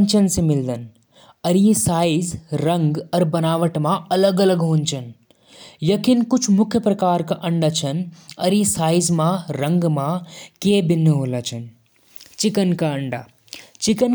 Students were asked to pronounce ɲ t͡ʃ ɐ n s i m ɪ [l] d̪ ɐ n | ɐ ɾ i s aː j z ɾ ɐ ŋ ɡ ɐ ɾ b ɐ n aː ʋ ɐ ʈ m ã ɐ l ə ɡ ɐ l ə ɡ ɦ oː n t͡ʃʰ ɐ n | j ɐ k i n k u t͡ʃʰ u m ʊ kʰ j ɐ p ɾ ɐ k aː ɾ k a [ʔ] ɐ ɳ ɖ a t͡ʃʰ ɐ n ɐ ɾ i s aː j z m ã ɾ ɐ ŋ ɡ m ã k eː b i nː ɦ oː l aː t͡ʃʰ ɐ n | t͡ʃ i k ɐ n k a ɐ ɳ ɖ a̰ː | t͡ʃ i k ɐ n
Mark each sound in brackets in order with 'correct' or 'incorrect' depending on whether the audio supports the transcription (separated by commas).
correct, correct